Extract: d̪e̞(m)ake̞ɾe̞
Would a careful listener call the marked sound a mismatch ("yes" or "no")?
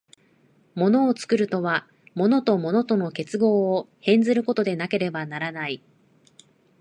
yes